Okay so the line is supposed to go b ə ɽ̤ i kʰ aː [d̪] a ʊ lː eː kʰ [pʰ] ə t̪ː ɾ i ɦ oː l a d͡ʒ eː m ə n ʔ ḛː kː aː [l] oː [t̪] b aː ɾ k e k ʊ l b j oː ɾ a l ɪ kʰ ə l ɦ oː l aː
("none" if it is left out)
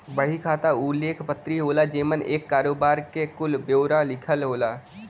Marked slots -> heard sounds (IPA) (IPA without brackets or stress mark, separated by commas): t̪, p, ɾ, none